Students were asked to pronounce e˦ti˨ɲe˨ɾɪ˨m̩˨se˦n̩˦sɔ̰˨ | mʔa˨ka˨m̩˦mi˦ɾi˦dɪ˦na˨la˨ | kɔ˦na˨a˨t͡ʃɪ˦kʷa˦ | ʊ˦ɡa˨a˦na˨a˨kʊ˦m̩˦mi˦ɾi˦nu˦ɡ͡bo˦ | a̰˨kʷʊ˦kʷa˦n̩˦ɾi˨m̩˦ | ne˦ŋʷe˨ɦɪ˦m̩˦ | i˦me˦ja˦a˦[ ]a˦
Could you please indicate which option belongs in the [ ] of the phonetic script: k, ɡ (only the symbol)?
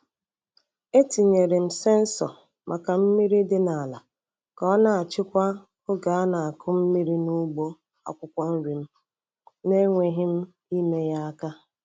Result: k